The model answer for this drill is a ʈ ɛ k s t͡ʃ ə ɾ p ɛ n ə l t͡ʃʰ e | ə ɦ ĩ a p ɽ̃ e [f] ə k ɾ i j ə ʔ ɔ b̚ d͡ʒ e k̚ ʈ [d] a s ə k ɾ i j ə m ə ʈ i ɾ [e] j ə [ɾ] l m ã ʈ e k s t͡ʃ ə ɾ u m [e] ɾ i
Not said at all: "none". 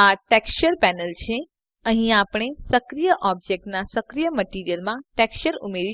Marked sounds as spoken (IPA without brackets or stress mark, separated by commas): s, n, i, none, e